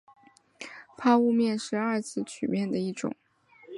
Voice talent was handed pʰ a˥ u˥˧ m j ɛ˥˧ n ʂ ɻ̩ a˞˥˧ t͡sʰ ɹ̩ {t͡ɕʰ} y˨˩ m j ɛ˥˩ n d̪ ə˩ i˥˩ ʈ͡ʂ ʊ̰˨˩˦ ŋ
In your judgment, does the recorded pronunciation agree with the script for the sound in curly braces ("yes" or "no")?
yes